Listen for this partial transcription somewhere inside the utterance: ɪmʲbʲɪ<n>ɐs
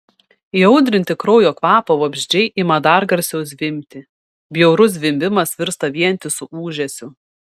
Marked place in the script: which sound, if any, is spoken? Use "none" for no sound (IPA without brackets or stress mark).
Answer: m